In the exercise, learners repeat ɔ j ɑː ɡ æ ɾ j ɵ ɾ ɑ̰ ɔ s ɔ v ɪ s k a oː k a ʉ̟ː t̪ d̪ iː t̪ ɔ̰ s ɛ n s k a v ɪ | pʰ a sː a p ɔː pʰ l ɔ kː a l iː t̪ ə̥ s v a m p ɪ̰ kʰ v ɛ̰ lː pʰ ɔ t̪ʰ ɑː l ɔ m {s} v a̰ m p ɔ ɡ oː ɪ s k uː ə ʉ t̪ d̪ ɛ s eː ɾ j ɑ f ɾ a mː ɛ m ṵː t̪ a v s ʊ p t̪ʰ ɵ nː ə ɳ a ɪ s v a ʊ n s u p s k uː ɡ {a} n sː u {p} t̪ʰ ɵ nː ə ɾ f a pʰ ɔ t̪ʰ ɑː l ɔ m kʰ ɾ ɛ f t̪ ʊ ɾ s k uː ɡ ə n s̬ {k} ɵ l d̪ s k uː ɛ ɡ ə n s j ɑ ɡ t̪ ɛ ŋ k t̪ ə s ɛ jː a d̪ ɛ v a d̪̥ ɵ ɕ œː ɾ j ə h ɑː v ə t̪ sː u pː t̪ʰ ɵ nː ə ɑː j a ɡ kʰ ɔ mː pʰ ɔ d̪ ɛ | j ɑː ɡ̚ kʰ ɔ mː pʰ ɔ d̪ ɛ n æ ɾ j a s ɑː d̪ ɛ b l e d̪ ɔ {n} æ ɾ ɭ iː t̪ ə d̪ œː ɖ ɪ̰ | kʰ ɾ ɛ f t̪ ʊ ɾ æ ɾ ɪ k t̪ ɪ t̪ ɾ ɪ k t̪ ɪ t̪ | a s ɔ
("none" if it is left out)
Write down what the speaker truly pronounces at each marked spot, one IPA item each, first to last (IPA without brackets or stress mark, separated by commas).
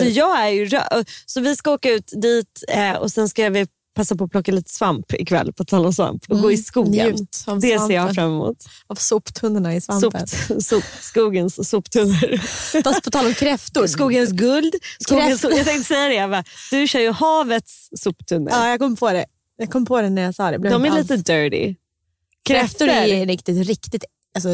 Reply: s, ə, p, ɡ, m